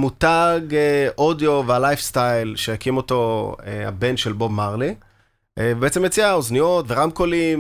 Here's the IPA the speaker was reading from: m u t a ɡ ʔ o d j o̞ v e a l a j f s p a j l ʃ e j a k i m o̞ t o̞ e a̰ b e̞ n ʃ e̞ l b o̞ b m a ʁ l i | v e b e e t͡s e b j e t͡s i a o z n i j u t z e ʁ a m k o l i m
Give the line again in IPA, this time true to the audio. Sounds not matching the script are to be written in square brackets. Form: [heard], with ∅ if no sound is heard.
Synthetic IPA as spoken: m u t a ɡ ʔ o d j o̞ v e a l a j f s [t] a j l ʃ e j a k i m o̞ t o̞ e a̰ b e̞ n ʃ e̞ l b o̞ b m a ʁ l i | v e b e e t͡s e [m] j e t͡s i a o z n i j [o] t [v] e ʁ a m k o l i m